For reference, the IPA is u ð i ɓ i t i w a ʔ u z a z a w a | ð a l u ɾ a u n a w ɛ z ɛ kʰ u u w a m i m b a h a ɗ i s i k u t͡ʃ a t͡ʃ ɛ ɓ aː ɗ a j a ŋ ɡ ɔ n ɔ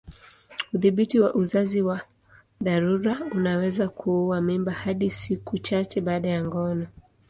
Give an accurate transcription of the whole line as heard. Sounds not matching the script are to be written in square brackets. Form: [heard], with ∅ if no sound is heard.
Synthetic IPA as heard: u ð i ɓ i t i w a ʔ u z a z [i] w a | ð a [ɾ] u ɾ a u n a w ɛ z [a] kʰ u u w a m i m b a h a ɗ i s i k u t͡ʃ a t͡ʃ ɛ ɓ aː ɗ a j a ŋ ɡ ɔ n ɔ